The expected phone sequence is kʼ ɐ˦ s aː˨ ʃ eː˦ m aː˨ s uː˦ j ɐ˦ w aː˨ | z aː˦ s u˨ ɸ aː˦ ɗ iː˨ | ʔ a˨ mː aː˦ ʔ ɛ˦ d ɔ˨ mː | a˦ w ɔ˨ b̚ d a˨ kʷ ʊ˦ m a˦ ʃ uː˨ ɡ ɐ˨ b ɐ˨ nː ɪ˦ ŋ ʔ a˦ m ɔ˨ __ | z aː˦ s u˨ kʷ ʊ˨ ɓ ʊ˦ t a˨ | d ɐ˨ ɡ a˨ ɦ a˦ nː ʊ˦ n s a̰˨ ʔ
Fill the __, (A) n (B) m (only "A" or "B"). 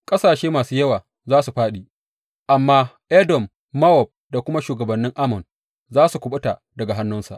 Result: A